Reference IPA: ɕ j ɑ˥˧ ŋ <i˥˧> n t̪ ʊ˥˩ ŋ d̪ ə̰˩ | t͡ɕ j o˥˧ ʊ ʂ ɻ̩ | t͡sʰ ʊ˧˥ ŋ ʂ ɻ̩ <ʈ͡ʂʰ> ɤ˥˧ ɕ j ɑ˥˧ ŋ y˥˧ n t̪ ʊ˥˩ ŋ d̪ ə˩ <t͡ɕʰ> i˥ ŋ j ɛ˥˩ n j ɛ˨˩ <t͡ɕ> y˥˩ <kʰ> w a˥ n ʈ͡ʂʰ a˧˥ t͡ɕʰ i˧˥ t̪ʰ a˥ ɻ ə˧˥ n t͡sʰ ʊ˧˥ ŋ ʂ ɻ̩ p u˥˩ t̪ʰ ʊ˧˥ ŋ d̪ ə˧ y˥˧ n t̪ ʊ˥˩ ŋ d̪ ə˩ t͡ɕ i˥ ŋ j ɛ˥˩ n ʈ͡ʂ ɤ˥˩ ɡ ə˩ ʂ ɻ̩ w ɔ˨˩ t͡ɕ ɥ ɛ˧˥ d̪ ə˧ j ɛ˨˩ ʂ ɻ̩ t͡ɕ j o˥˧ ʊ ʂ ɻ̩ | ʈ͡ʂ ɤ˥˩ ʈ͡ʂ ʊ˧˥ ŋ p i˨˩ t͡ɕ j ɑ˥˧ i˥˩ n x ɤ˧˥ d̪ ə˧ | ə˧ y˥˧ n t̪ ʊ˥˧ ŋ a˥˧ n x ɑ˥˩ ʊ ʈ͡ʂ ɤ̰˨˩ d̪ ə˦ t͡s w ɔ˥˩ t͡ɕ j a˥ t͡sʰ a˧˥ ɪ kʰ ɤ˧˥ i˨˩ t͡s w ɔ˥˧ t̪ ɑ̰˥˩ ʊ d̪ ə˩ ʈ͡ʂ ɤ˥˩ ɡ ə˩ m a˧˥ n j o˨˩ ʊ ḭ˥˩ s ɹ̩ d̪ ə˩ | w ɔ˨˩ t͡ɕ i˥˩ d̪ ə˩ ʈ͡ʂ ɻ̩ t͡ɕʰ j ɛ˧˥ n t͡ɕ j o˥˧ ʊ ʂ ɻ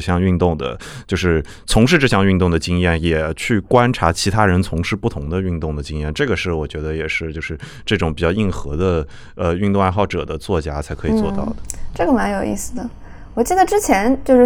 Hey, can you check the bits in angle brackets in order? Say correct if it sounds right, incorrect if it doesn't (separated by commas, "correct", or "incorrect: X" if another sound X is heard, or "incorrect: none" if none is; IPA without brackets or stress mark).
incorrect: y˥˧, incorrect: ʈ͡ʂ, incorrect: t͡ɕ, incorrect: t͡ɕʰ, incorrect: k